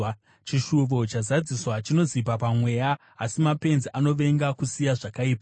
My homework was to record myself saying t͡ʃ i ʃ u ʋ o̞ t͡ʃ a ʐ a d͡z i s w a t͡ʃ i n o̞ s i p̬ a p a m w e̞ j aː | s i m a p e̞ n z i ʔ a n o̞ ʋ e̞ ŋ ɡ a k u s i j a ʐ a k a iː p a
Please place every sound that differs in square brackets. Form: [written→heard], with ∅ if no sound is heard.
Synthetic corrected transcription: t͡ʃ i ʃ u ʋ o̞ t͡ʃ a [ʐ→z] a d͡z i s w a t͡ʃ i n o̞ [s→z] i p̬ a p a m w e̞ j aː | s i m a p e̞ n z i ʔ a n o̞ ʋ e̞ ŋ ɡ a k u s i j a ʐ a k a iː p a